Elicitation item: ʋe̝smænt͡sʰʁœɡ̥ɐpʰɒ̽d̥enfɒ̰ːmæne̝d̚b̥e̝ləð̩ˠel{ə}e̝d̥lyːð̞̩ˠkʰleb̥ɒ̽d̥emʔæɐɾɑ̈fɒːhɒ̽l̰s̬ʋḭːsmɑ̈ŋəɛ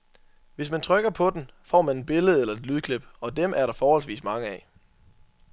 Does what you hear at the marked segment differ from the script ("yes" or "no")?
yes